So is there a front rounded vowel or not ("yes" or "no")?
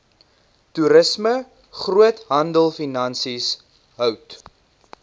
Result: yes